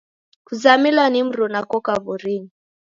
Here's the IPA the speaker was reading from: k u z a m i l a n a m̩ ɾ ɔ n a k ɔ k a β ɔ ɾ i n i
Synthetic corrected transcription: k u z a m i l a n i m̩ ɾ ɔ n a k ɔ k a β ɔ ɾ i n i

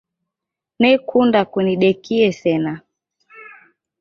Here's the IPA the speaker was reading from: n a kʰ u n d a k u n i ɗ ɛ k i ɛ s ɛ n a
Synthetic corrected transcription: n ɛ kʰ u n d a k u n i ɗ ɛ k i ɛ s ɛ n a

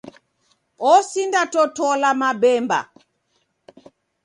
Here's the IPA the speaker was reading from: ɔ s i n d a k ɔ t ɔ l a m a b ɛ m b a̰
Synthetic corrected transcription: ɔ s i n d a t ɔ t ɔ l a m a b ɛ m b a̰

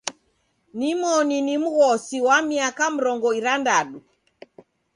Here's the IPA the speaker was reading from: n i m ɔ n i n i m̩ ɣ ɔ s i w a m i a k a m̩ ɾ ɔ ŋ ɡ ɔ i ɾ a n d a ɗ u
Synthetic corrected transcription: n i m ɔ n i n i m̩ ɣ ɔ s i w a m i a k a m̩ ɾ ɔ ŋ ɡ ɔ i ɾ a n d a ɗ u

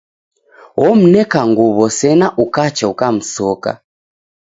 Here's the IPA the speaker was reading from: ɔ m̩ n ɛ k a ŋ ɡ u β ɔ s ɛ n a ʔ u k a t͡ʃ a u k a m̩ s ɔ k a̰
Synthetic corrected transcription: ɔ m̩ n ɛ k a ŋ ɡ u β ɔ s ɛ n a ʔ u k a t͡ʃ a u k a m̩ s ɔ k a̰

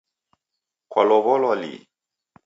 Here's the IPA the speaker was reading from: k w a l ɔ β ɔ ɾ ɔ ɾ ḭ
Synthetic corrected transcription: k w a l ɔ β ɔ l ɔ l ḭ

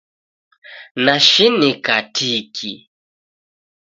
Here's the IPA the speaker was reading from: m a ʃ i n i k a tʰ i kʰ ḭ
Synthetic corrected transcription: n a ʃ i n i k a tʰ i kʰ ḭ

